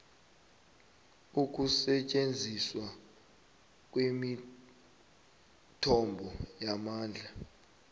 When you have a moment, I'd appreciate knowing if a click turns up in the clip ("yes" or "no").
no